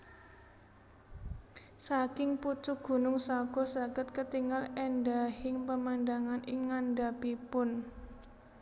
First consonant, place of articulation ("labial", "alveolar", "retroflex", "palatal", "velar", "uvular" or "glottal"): alveolar